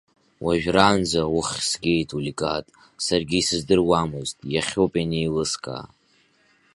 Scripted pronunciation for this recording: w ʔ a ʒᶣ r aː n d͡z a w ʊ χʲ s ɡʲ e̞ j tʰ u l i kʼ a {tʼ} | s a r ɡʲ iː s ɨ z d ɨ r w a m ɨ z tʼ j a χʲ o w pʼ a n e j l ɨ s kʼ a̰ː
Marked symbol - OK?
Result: yes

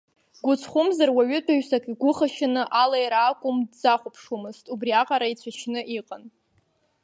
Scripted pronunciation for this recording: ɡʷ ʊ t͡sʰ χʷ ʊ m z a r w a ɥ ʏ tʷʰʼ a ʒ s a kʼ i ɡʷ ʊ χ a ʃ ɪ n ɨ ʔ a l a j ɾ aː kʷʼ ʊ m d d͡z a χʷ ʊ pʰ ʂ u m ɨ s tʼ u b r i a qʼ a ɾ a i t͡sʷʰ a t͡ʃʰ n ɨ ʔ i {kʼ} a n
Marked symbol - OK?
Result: no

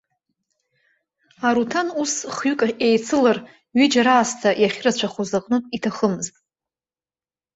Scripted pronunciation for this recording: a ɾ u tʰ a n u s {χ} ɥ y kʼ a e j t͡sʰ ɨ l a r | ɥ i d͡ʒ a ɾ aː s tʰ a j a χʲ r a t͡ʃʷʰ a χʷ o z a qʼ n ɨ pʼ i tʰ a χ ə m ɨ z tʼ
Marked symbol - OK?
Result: yes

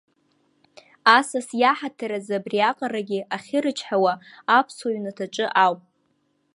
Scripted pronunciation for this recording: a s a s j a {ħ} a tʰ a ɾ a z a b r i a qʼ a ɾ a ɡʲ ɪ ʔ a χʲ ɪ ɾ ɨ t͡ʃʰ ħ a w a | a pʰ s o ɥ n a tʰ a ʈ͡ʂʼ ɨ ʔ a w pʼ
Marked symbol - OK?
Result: yes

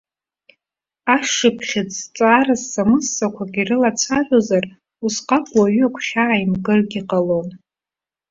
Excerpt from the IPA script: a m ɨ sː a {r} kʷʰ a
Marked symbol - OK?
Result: no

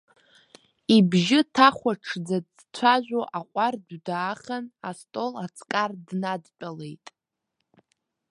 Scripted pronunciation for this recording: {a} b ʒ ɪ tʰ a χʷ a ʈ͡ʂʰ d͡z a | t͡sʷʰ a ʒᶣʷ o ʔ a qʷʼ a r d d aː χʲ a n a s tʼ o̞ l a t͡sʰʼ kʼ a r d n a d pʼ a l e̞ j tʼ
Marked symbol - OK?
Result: no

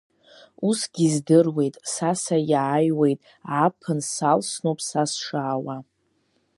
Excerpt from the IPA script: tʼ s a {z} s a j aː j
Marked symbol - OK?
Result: no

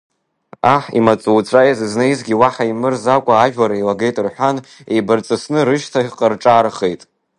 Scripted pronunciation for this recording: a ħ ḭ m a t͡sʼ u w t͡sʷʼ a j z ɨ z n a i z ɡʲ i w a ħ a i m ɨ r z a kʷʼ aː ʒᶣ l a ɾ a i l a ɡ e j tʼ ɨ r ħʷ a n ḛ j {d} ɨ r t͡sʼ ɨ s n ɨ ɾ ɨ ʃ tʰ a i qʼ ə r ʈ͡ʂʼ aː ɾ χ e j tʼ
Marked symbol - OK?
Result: no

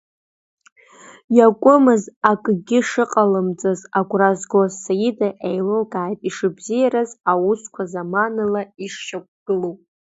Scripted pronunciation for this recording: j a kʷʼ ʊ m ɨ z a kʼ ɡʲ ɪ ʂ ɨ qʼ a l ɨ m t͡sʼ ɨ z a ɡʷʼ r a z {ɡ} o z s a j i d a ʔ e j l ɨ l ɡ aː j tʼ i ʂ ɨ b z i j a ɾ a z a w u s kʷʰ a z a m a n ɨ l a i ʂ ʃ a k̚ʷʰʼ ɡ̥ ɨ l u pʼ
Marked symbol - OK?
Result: yes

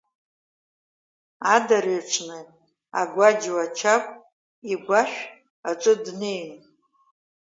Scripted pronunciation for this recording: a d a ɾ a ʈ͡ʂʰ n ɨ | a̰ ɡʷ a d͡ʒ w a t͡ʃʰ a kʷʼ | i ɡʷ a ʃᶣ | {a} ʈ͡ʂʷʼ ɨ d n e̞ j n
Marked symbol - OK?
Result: yes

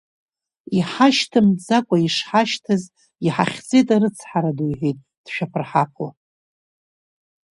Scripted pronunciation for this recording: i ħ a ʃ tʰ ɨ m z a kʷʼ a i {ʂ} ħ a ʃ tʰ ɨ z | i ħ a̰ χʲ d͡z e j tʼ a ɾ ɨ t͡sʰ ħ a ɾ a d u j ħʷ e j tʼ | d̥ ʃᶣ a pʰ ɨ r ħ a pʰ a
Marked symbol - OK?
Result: yes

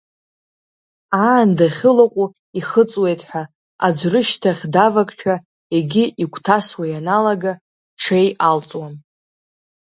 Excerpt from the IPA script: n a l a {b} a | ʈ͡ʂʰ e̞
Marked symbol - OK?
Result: no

